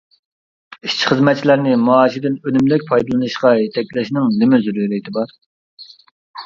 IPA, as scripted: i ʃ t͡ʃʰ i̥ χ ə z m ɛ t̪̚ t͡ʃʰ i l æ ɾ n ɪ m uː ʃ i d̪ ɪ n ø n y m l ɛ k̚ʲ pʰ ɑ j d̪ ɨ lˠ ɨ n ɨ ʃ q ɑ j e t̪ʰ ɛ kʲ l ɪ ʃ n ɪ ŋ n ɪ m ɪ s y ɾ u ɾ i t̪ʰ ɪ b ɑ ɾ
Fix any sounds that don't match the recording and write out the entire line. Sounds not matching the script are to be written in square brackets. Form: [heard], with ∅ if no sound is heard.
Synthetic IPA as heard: i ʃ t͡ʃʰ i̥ χ ə z m ɛ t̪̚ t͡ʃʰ i l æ ɾ n ɪ m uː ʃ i d̪ ɪ n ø n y m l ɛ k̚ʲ pʰ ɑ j d̪ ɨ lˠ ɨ n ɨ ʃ q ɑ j e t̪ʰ ɛ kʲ l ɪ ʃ n ɪ ŋ n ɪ m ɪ [z] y ɾ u ɾ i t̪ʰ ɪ b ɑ ɾ